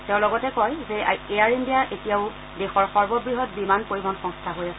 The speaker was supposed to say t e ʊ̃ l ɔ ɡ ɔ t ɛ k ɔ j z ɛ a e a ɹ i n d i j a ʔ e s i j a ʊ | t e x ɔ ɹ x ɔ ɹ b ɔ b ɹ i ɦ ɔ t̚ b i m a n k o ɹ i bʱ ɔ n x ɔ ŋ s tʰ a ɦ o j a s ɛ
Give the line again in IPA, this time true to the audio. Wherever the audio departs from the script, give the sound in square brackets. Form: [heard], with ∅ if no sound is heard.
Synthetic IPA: t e ʊ̃ l ɔ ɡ ɔ t ɛ k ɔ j z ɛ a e a ɹ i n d i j a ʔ e [t] i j a ʊ | [d] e x ɔ ɹ x ɔ ɹ b ɔ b ɹ i ɦ ɔ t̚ b i m a n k o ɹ i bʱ ɔ n x ɔ ŋ s tʰ a ɦ o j a s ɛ